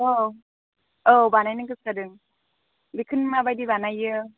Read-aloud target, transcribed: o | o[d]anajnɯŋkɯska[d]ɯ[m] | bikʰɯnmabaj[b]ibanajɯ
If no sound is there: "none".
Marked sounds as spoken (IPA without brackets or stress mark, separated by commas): b, d, ŋ, d